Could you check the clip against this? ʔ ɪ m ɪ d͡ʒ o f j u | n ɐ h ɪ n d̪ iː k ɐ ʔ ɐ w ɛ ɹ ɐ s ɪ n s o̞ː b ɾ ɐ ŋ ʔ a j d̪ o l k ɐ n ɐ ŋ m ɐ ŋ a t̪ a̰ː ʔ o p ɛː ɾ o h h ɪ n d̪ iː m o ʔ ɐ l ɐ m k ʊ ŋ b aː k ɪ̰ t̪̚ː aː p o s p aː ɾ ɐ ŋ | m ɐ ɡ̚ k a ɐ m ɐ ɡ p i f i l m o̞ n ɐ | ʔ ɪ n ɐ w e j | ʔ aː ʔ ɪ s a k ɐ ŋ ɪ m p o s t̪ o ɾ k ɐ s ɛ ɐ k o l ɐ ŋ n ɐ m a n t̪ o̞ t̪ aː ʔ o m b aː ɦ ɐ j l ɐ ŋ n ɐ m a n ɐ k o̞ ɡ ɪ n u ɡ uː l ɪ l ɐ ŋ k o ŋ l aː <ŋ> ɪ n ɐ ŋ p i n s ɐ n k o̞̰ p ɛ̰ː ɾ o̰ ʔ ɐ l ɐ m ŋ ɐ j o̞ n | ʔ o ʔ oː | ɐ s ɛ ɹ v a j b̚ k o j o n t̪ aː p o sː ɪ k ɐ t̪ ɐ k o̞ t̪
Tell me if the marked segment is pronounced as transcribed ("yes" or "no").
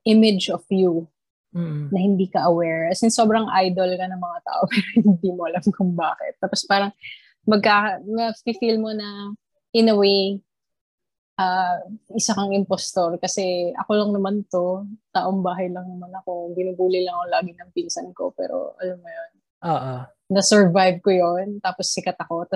no